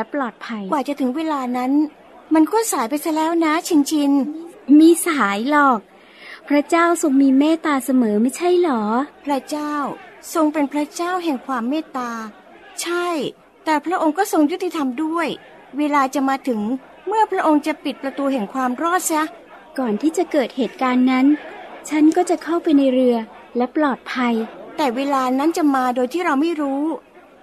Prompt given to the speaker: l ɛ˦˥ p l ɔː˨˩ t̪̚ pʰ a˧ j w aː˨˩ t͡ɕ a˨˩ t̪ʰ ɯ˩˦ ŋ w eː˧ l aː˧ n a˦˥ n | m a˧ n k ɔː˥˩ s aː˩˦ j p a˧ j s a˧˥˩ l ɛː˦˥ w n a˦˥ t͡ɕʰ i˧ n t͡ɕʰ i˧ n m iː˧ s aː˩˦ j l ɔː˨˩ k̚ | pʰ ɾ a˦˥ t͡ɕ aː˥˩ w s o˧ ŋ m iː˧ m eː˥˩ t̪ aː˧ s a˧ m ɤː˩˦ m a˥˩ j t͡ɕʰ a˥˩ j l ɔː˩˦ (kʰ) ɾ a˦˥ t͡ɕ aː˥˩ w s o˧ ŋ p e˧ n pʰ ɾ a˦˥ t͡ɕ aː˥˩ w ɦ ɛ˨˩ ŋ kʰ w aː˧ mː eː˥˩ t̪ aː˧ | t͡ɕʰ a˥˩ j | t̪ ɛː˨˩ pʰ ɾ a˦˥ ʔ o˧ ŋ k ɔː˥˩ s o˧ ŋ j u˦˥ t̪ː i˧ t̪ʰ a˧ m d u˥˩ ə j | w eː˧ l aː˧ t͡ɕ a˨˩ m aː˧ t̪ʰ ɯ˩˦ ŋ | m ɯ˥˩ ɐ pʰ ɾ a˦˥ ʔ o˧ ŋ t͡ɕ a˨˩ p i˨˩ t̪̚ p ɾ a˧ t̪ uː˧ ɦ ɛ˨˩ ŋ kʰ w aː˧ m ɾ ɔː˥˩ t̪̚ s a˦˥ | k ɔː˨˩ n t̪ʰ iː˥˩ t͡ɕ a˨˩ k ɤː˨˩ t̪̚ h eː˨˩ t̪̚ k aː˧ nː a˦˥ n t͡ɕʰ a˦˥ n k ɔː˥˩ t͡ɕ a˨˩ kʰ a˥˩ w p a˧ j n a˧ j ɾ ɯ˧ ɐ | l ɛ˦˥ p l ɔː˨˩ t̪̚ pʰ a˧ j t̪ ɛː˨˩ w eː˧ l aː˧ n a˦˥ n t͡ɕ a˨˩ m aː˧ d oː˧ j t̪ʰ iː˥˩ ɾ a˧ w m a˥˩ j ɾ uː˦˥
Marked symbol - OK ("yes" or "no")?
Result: no